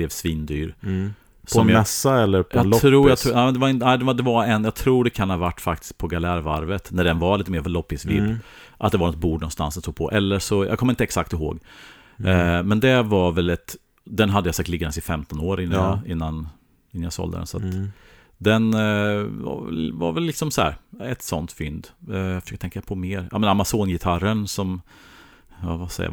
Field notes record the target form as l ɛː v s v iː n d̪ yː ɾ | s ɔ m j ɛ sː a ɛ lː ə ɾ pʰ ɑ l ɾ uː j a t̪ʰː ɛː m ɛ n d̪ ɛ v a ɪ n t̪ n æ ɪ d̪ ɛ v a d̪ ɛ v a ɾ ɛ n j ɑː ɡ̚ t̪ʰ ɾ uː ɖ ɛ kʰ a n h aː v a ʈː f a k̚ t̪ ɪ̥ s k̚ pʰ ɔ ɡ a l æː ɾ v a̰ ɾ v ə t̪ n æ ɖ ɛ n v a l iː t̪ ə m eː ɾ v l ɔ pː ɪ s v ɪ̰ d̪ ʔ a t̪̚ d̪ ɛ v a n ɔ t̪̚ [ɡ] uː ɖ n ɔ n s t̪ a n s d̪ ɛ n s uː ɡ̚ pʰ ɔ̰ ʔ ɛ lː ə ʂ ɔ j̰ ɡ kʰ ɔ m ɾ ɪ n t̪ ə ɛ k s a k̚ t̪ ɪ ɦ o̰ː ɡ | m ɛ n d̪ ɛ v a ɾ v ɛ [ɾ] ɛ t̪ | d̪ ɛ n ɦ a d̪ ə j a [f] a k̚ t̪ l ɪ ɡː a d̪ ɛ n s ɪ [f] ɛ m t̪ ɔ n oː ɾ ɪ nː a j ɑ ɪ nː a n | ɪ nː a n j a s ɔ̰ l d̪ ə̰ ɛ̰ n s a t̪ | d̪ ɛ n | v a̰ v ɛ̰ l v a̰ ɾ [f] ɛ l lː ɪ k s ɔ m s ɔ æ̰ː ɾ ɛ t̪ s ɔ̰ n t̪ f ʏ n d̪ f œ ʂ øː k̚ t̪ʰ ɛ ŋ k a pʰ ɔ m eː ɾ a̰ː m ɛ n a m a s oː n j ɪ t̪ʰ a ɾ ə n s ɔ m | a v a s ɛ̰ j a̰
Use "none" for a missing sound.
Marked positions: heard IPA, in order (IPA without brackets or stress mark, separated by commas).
b, l, s, f, v